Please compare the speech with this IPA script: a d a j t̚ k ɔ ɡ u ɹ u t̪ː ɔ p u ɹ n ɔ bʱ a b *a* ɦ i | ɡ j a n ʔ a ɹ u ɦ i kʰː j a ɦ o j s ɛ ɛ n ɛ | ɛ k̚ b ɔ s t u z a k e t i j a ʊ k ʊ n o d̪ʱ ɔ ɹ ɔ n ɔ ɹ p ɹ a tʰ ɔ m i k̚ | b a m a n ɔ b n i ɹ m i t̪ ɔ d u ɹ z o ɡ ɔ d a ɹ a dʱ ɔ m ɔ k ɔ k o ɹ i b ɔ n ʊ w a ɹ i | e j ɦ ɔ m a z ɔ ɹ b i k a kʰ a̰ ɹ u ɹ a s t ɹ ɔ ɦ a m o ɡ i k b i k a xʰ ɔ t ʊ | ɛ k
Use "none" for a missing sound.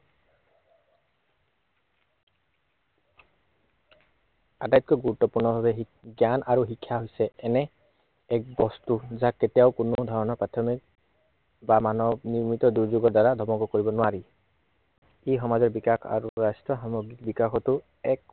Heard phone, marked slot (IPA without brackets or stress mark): ɛ